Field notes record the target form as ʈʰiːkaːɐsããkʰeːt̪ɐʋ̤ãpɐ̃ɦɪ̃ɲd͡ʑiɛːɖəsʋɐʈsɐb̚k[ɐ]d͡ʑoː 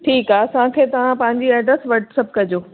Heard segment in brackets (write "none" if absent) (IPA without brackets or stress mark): ɐ